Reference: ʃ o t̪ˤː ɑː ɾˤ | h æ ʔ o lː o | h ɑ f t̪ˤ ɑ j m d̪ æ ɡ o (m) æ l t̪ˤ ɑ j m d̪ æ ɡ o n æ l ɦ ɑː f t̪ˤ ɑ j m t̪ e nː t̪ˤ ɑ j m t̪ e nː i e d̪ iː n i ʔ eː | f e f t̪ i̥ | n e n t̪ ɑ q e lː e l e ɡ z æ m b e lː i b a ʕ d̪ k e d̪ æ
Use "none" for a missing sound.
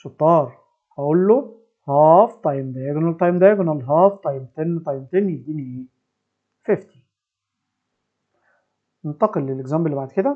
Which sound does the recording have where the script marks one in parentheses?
n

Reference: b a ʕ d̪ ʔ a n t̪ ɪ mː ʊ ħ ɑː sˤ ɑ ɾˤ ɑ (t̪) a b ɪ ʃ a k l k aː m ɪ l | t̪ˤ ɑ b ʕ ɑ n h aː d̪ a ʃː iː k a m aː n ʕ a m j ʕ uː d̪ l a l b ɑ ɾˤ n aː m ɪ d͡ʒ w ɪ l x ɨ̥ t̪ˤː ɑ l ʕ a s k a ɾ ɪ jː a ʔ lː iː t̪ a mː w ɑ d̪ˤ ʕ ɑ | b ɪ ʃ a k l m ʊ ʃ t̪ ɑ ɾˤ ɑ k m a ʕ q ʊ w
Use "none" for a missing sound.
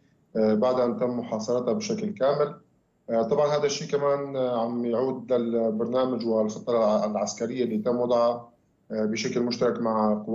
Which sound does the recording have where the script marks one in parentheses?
t̪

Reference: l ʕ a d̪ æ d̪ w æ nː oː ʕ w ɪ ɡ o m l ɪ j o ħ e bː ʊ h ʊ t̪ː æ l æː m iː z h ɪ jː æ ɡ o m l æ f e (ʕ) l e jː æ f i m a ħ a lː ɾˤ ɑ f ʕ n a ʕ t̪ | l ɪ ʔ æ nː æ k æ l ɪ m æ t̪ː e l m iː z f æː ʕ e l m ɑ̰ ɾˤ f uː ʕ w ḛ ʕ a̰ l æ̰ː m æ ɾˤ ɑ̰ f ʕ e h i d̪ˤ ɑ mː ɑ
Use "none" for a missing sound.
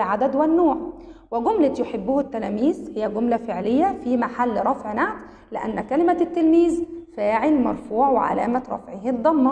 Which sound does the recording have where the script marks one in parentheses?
ʕ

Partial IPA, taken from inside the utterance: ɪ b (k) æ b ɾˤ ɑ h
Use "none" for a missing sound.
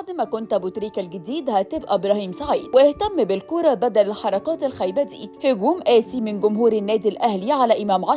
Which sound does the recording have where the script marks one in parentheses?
ʔ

